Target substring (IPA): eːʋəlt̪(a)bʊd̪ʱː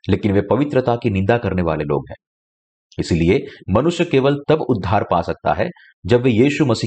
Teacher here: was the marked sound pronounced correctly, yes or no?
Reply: no